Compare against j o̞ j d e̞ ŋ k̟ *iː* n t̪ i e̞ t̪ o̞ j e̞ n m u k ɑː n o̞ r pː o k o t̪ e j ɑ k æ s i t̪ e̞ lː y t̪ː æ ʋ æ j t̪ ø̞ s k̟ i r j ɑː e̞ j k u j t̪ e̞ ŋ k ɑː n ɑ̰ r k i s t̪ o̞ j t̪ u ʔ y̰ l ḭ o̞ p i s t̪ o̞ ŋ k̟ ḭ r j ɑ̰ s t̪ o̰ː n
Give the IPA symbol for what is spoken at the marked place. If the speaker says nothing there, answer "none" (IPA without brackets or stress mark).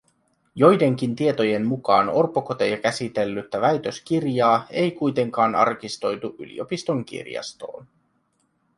i